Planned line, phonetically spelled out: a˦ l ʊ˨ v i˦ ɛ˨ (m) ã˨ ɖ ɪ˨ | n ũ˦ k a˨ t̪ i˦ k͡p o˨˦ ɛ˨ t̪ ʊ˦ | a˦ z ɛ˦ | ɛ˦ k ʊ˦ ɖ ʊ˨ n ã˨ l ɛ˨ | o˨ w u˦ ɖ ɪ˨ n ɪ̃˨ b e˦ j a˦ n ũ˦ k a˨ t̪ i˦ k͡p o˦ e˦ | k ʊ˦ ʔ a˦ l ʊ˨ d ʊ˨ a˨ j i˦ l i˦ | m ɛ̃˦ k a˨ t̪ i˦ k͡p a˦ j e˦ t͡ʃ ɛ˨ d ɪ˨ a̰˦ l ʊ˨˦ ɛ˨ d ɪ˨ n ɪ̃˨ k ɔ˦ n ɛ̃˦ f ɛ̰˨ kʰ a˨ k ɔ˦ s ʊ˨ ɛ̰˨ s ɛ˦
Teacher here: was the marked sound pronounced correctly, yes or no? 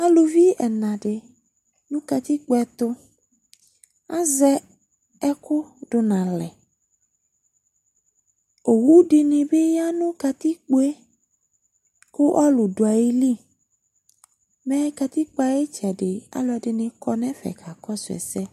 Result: no